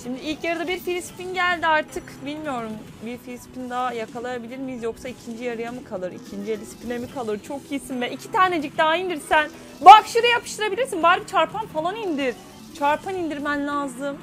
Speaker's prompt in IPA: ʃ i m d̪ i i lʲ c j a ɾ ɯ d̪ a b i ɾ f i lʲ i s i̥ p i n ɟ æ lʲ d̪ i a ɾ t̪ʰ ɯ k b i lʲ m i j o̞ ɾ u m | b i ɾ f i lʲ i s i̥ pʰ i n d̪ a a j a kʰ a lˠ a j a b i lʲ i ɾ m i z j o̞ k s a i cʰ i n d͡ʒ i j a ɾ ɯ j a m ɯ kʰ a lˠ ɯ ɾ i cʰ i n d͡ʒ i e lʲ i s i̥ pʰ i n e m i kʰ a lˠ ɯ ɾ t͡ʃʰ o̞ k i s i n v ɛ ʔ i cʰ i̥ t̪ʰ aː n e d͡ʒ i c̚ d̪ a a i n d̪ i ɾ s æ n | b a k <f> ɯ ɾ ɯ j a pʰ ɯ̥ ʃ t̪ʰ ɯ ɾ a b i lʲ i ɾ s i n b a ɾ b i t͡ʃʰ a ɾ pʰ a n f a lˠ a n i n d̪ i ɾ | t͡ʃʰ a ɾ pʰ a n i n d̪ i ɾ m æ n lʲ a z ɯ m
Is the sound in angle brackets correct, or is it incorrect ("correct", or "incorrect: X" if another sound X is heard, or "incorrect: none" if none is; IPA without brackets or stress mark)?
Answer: incorrect: ʃ